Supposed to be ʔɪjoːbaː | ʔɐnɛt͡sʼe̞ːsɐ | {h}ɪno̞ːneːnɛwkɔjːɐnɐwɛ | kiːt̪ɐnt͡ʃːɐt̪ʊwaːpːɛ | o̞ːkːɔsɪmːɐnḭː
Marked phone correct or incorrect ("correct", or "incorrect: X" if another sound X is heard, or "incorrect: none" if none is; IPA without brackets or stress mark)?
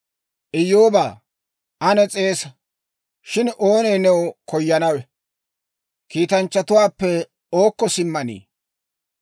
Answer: incorrect: ʃ